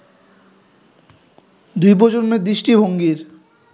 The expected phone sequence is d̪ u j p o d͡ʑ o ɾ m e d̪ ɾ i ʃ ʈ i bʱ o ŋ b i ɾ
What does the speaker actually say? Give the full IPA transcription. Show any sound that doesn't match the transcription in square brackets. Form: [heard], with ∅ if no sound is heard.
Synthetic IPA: d̪ u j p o d͡ʑ o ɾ m e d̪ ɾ i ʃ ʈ i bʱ o ŋ [ɡ] i ɾ